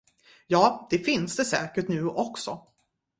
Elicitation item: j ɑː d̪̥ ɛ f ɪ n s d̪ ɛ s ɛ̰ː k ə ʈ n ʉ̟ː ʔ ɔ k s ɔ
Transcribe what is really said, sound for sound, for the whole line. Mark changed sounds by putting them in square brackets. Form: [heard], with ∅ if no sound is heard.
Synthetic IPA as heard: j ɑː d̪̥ ɛ f ɪ n s d̪ ɛ s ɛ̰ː k ə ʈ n ʉ̟ː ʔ ɔ k s ɔ